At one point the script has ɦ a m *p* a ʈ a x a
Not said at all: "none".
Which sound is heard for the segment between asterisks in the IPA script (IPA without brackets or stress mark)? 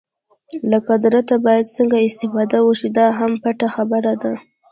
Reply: p